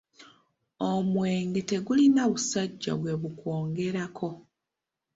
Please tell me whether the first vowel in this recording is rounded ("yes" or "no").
yes